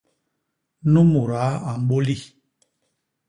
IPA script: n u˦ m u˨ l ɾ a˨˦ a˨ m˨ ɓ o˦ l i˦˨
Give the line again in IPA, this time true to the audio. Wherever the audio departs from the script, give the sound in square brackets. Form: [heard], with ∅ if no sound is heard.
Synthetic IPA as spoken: n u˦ m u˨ [∅] ɾ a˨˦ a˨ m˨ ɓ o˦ l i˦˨